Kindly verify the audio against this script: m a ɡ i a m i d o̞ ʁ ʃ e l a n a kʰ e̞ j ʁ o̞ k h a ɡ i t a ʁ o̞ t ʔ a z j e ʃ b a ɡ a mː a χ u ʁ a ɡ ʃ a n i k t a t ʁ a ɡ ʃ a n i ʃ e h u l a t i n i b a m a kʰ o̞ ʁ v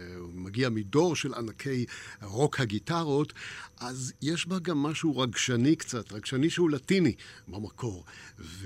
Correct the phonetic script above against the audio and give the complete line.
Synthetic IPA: m a ɡ i a m i d o̞ ʁ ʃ e l a n a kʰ e̞ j ʁ o̞ k h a ɡ i t a ʁ o̞ t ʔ a z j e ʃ b a ɡ a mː a ʃ u ʁ a ɡ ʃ a n i k t͡s a t ʁ a ɡ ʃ a n i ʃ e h u l a t i n i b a m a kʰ o̞ ʁ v